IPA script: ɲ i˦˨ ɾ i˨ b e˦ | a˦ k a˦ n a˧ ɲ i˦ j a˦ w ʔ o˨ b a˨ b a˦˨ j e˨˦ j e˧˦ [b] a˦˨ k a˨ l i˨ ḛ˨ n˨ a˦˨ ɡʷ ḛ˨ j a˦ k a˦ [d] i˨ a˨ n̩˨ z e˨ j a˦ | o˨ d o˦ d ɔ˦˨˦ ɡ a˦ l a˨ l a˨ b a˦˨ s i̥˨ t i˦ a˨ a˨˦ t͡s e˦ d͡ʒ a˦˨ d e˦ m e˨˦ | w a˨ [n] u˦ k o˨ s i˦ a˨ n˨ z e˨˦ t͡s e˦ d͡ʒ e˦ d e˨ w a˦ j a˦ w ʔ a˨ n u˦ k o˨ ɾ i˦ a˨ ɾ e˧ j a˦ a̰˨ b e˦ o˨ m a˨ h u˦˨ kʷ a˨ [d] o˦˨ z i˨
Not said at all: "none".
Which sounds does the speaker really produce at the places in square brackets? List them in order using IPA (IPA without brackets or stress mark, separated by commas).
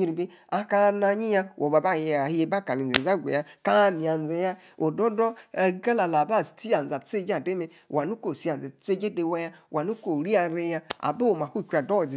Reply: b, n, n, d